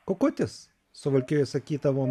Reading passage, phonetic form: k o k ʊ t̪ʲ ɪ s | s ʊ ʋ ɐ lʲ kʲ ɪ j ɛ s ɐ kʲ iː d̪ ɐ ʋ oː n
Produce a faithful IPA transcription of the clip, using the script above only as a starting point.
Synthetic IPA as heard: k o k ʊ t̪ʲ ɪ s | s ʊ ʋ ɐ lʲ kʲ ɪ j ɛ s ɐ kʲ iː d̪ ɐ ʋ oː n